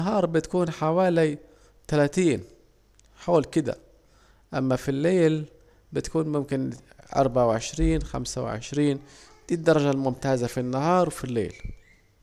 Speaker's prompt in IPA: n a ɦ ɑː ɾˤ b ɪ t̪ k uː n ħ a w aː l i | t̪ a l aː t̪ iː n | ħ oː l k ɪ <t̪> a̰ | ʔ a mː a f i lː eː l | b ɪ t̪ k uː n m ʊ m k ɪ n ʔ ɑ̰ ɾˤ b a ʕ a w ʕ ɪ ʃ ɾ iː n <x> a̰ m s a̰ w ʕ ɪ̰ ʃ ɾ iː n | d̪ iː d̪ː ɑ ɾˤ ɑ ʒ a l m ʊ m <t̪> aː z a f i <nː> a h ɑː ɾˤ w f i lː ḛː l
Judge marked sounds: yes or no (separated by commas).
no, yes, yes, yes